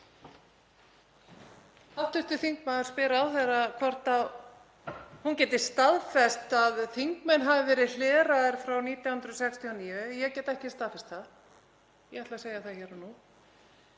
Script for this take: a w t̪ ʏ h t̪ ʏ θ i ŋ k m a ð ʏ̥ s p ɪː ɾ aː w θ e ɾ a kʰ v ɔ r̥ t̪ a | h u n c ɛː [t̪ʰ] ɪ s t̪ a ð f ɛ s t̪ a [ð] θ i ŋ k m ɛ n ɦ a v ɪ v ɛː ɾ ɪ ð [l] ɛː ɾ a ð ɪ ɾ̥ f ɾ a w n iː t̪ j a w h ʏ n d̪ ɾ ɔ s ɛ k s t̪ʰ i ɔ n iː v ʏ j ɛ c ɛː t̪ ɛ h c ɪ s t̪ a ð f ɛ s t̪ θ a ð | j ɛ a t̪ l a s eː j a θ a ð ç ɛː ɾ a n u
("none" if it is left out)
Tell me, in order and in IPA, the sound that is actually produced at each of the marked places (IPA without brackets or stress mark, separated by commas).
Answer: t̪, ð, l